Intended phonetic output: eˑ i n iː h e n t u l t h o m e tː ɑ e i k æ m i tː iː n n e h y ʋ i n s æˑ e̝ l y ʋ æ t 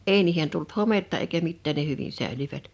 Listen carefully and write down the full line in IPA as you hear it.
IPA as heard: eˑ i n iː h e n t u l t h o m e tː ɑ e i k æ m i tː æː n n e h y ʋ i n s æˑ e̝ l y ʋ æ t